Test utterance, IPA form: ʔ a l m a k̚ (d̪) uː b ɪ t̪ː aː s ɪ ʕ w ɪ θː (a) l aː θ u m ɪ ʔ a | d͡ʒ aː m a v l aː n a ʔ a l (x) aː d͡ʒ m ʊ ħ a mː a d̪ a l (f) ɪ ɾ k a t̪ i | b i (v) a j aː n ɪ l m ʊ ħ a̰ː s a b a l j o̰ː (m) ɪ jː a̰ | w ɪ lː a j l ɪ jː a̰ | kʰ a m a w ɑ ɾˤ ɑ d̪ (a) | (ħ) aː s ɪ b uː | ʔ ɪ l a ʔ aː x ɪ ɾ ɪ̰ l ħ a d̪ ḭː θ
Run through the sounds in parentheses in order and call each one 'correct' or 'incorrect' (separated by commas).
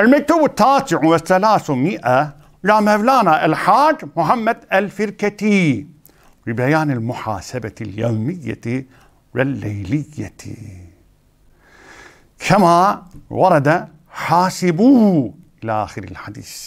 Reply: incorrect, correct, incorrect, correct, incorrect, correct, correct, correct